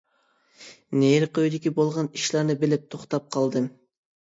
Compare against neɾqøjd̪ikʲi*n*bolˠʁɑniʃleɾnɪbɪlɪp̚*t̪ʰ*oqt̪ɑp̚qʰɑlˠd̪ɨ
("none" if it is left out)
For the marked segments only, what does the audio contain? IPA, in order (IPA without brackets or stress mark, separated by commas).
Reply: none, t̪ʰ